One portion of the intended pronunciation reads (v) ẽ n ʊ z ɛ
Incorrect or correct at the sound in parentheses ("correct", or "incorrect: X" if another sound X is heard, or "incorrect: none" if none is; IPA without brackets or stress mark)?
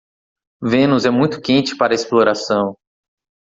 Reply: correct